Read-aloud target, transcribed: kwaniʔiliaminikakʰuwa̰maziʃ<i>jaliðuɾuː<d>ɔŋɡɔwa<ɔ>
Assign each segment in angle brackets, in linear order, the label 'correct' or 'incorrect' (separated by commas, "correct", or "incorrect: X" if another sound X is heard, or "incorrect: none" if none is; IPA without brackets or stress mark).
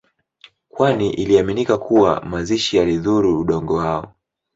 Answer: correct, incorrect: ɗ, correct